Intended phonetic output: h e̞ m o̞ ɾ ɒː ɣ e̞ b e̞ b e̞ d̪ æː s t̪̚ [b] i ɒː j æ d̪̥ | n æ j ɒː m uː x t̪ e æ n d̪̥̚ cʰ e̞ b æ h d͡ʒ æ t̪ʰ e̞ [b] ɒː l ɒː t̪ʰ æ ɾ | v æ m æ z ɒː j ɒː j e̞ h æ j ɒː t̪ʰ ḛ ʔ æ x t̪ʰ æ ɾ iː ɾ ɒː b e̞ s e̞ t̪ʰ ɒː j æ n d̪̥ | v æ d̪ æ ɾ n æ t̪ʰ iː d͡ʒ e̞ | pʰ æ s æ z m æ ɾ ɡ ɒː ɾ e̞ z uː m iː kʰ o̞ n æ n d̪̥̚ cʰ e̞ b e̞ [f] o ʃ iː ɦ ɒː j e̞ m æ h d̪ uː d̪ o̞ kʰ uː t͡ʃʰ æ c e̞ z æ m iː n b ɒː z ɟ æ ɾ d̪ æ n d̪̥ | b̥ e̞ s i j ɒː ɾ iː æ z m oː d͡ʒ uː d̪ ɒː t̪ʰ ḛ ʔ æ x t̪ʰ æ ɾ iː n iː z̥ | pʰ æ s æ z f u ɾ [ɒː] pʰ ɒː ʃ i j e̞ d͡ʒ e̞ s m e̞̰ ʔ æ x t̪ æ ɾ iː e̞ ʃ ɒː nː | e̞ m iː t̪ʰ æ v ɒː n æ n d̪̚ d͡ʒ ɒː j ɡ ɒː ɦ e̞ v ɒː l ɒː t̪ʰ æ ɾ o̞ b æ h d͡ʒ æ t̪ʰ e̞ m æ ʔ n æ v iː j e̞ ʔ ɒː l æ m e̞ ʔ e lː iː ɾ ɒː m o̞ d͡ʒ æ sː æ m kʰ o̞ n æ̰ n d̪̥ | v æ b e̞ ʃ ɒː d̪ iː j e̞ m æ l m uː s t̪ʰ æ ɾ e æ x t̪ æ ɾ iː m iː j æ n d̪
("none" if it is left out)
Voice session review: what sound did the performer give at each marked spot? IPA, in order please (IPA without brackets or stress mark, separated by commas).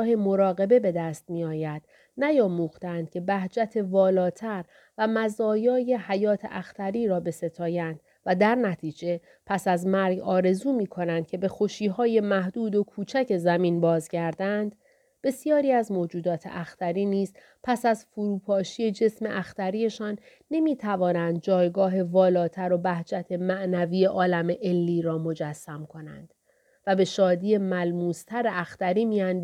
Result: m, v, x, uː